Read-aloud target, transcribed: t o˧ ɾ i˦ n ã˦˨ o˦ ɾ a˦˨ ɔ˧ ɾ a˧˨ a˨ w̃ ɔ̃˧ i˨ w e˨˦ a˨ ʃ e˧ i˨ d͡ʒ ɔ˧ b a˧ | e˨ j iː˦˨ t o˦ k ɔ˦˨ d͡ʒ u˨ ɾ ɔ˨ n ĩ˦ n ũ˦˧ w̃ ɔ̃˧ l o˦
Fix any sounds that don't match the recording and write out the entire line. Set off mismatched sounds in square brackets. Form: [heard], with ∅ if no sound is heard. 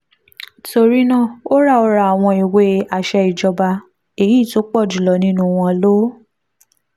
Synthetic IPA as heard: t o˧ ɾ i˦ n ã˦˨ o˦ ɾ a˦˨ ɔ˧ ɾ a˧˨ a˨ w̃ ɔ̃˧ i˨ w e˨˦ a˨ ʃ [ɛ˧] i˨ d͡ʒ ɔ˧ b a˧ | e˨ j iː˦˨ t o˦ [k͡p] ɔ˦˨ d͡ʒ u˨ [l] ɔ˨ n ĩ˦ n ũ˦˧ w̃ ɔ̃˧ l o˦